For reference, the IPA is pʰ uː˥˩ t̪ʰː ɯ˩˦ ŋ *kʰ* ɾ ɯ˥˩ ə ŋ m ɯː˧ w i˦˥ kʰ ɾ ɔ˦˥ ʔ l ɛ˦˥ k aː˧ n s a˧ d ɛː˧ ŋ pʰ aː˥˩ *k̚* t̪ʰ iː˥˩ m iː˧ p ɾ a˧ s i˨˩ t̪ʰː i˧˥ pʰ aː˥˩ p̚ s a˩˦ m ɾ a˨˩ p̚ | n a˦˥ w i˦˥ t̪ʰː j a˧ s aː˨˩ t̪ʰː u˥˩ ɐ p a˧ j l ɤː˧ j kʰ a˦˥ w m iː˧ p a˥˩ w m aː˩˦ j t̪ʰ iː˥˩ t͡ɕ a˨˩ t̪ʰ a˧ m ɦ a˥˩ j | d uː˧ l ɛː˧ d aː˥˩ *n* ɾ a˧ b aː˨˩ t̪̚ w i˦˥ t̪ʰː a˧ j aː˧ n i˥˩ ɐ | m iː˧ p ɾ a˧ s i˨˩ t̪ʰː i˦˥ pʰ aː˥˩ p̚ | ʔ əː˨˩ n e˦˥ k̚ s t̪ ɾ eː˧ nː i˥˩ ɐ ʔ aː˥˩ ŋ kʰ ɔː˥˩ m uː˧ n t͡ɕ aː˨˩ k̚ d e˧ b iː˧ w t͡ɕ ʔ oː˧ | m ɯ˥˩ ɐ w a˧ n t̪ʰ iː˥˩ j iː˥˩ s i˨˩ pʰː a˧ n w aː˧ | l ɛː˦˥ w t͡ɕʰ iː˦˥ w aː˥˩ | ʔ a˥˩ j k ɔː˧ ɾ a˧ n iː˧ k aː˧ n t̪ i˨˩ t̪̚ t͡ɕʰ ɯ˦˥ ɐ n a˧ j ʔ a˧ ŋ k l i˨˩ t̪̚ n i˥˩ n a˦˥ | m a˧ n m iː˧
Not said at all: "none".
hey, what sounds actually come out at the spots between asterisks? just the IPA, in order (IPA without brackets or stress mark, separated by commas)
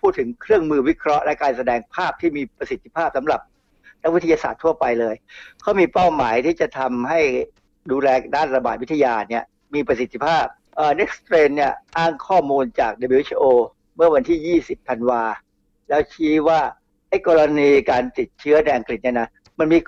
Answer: kʰ, p̚, n